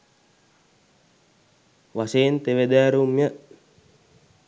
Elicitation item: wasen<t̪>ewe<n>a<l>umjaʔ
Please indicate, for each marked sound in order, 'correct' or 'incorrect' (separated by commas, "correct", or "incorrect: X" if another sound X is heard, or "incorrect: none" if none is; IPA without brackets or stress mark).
correct, incorrect: d, incorrect: ɾ